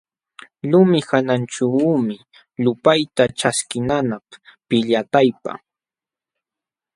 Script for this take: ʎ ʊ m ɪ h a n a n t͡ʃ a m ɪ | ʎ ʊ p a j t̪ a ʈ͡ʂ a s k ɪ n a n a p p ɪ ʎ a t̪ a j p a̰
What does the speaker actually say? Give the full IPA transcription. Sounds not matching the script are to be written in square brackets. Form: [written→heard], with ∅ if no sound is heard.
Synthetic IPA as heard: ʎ ʊ m ɪ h a n a n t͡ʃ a m ɪ | ʎ ʊ p a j t̪ a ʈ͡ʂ a s k ɪ n a n a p p ɪ ʎ a t̪ a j p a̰